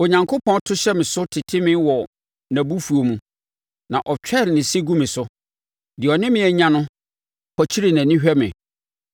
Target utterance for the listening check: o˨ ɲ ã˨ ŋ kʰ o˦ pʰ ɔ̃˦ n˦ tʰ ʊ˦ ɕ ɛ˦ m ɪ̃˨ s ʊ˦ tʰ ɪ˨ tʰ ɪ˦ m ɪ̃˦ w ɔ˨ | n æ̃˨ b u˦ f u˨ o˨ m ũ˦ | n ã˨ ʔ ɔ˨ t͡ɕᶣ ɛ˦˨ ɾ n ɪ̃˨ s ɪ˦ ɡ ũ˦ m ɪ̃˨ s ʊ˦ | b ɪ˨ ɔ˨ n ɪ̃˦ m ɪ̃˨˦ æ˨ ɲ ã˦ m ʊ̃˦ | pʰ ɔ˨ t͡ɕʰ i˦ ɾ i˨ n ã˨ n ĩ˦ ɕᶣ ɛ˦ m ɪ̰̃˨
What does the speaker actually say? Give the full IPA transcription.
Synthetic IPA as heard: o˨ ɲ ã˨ ŋ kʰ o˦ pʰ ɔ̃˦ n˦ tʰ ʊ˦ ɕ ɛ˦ m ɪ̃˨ s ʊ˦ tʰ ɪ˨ tʰ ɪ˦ m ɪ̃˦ w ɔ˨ | n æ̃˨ b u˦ f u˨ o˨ m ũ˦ | n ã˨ ʔ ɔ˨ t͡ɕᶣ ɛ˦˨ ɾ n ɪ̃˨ s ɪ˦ ɡ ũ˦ m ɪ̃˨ s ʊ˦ | d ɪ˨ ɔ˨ n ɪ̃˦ m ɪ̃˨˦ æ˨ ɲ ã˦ n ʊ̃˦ | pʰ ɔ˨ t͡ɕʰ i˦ ɾ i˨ n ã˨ n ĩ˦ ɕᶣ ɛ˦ m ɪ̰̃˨